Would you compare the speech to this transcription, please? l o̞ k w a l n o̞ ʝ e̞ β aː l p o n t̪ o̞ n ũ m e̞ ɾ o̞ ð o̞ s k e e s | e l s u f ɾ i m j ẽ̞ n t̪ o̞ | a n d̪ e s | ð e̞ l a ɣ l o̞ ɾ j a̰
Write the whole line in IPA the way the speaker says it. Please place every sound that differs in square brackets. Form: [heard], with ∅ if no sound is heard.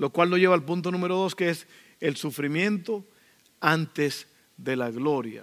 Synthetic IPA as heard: l o̞ k w a l n o̞ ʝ e̞ β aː l p [u] n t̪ o̞ n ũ m e̞ ɾ o̞ ð o̞ s k e e s | e l s u f ɾ i m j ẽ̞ n t̪ o̞ | a n [t̪] e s | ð e̞ l a ɣ l o̞ ɾ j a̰